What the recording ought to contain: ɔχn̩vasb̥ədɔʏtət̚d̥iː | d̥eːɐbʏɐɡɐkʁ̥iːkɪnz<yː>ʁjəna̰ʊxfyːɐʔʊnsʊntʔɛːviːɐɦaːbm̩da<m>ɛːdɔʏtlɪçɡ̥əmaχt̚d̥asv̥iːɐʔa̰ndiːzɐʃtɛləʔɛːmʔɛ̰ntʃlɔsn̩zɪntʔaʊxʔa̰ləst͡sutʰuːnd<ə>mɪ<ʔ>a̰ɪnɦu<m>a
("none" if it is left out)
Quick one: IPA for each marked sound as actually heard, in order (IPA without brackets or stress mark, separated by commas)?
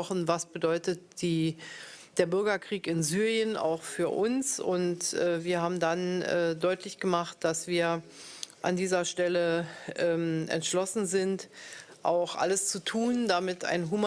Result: yː, n, a, t, m